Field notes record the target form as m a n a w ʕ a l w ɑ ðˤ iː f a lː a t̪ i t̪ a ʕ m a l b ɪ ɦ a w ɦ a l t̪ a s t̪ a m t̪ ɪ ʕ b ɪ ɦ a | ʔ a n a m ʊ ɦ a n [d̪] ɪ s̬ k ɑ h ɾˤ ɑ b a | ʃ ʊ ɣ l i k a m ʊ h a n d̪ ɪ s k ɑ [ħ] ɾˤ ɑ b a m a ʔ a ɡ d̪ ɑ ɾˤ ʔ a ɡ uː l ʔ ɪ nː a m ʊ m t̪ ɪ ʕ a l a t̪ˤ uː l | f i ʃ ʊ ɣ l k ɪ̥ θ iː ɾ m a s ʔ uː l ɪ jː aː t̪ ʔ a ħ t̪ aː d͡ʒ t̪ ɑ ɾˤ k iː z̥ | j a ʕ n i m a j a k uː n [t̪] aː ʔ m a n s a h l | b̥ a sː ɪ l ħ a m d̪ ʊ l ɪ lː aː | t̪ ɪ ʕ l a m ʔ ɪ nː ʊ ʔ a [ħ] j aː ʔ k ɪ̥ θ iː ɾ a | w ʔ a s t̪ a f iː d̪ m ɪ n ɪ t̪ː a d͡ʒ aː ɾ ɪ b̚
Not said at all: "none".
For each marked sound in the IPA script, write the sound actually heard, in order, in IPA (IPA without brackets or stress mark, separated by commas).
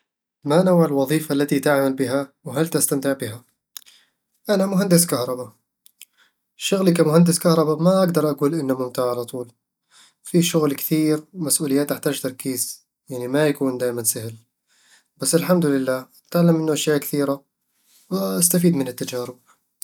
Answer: d̪, h, d̪, ʃ